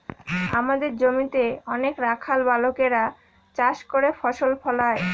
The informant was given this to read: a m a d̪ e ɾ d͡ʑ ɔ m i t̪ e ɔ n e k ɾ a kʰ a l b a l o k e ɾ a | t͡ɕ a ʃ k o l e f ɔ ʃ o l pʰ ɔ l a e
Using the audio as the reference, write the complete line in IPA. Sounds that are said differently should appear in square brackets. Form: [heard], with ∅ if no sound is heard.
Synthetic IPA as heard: a m a d̪ e ɾ d͡ʑ [o] m i t̪ e ɔ n e k ɾ a kʰ a l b a l o k e ɾ a | t͡ɕ a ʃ k o [ɾ] e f ɔ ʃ o l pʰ ɔ l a e